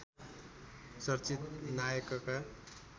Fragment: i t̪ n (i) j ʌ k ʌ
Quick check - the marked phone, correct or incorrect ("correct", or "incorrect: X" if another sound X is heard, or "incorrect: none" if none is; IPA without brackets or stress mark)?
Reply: incorrect: a